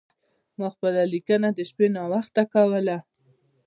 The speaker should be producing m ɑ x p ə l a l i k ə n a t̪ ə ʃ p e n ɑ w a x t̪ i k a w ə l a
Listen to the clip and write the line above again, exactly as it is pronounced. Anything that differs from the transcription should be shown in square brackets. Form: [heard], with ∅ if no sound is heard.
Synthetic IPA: m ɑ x p ə l a l i k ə n a [d̪] ə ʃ p e n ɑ w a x t̪ [a] k a w ə l a